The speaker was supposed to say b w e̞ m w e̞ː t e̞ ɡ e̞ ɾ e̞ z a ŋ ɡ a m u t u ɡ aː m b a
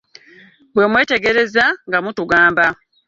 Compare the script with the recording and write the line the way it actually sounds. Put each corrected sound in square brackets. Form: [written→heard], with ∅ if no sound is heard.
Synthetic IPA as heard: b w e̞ m w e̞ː t e̞ ɡ e̞ ɾ e̞ z a ŋ ɡ a m u t u ɡ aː m b a